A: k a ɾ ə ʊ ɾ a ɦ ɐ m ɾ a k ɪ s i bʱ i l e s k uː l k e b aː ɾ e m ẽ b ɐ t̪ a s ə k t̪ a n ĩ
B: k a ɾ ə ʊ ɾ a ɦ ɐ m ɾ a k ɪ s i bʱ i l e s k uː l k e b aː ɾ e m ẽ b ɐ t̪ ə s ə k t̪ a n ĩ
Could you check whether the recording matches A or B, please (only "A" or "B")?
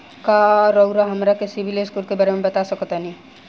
A